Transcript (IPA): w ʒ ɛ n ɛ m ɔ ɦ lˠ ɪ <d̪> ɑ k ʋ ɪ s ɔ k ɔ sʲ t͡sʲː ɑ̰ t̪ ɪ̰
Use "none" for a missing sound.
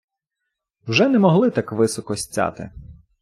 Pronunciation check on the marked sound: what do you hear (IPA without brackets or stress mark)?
t̪